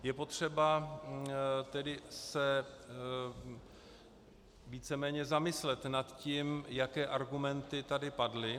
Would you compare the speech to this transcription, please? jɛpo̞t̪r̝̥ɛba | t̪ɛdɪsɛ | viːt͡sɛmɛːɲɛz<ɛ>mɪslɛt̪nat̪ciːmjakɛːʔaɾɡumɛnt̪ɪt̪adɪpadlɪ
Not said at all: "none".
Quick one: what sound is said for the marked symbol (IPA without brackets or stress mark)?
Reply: a